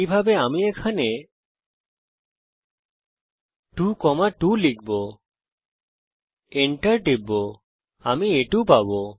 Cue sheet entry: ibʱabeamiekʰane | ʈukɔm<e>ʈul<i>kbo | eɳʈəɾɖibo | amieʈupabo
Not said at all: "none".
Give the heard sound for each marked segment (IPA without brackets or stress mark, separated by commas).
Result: a, i